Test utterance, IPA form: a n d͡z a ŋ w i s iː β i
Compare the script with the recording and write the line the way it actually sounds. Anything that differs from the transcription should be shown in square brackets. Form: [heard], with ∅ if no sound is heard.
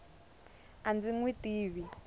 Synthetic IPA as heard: a n d͡z [i] ŋ w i [t] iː β i